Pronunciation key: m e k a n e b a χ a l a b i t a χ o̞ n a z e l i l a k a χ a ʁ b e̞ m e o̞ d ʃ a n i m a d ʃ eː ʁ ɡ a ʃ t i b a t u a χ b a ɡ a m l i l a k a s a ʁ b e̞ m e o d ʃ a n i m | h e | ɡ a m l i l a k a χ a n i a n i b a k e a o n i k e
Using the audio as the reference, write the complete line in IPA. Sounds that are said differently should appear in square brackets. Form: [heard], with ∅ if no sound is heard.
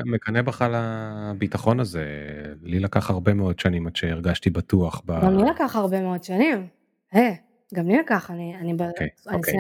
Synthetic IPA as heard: m e k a n e b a χ a l a b i t a χ o̞ n a z e l i l a k a χ a ʁ b e̞ m e o̞ d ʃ a n i m a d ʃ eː ʁ ɡ a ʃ t i b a t u a χ b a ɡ a m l i l a k a [χ] a ʁ b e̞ m e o d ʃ a n i m | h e | ɡ a m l i l a k a χ a n i a n i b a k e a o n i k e